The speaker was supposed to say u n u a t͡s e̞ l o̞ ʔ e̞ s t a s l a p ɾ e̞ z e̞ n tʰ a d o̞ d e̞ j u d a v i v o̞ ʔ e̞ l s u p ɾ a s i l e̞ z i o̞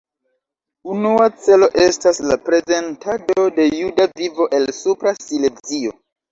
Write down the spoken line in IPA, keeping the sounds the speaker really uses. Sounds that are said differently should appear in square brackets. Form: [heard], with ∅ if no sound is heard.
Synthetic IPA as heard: u n u a t͡s e̞ l o̞ ʔ e̞ s t a s l a p ɾ e̞ z e̞ n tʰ a d o̞ d e̞ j u d a v i v o̞ ʔ e̞ l s u p ɾ a s i l e̞ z i o̞